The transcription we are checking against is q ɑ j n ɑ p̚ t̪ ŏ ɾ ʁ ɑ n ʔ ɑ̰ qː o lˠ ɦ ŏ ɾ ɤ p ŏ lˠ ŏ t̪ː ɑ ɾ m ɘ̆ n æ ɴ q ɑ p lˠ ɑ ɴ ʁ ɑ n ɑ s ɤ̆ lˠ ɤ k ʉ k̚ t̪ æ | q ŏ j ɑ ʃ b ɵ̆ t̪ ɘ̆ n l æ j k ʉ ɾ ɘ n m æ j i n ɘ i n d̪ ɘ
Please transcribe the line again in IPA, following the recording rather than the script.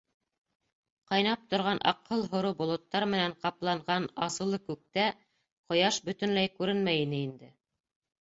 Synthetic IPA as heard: q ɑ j n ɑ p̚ t̪ ŏ ɾ ʁ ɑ n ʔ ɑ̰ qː ɤ lˠ ɦ ŏ ɾ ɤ b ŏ lˠ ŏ t̪ː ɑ ɾ m ɘ̆ n æ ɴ q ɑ p lˠ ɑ ɴ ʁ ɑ n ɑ s ɤ̆ lˠ ɤ k ʉ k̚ t̪ æ | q ŏ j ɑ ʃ b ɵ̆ t̪ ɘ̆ n l æ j k ʉ ɾ ɘ n m æ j i n ɘ i n d̪ ɘ

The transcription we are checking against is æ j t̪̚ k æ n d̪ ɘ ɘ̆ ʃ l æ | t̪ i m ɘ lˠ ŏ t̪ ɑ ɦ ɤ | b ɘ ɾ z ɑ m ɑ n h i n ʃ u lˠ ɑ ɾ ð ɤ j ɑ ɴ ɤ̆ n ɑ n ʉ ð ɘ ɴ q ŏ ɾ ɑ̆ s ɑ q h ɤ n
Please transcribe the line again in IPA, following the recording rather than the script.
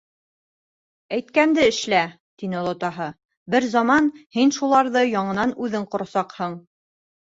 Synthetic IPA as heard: æ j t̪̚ k æ n d̪ ɘ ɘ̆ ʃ l æ | t̪ i n ɘ lˠ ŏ t̪ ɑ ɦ ɤ | b ɘ ɾ z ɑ m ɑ n h i n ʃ u lˠ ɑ ɾ ð ɤ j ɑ ɴ ɤ̆ n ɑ n ʉ ð ɘ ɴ q ŏ ɾ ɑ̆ s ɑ q h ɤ ɴ

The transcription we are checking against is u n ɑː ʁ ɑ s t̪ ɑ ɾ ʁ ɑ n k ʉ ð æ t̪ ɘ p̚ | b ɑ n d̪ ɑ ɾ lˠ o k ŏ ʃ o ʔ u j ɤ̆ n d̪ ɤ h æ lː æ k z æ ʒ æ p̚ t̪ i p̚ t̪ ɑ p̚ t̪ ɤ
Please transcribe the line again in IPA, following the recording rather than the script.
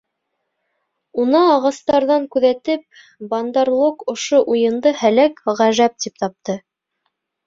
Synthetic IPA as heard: u n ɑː ʁ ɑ s t̪ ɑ ɾ ð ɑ ŋ k ʉ ð æ t̪ ɘ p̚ | b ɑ n d̪ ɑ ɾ lˠ o k ŏ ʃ o ʔ u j ɤ̆ n d̪ ɤ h æ l æ k ʁ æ ʒ æ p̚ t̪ i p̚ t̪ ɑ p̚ t̪ ɤ

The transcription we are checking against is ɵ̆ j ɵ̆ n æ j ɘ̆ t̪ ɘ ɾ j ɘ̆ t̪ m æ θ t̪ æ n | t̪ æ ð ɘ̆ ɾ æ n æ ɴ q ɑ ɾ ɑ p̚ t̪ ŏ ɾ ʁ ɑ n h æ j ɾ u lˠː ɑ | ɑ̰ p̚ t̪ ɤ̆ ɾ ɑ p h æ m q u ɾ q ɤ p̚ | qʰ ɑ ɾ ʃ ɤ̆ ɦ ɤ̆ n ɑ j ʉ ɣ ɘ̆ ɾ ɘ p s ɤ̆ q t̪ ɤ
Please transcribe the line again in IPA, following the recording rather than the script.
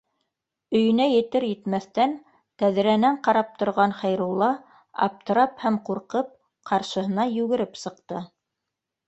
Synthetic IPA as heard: ɵ̆ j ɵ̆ n æ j ɘ̆ t̪ ɘ ɾ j ɘ̆ t̪ m æ θ t̪ æ n | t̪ æ ð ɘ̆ ɾ æ n æ ɴ q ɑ ɾ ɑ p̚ t̪ ŏ ɾ ʁ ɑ n χ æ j ɾ u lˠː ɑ | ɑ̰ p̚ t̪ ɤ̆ ɾ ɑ p h æ m q u ɾ q ɤ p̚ | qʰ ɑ ɾ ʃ ɤ̆ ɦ ɤ̆ n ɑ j ʉ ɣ ɘ̆ ɾ ɘ p s ɤ̆ q t̪ ɤ

